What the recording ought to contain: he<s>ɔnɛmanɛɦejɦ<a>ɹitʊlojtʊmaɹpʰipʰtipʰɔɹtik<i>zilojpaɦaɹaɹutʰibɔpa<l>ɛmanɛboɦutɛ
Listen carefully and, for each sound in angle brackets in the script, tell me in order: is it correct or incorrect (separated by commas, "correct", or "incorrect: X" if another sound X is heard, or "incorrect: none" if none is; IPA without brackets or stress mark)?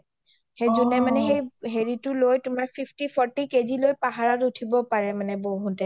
incorrect: z, incorrect: e, incorrect: e, incorrect: ɹ